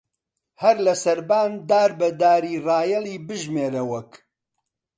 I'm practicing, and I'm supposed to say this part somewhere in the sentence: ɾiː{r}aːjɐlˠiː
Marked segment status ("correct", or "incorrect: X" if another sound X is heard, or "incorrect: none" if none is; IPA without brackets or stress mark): correct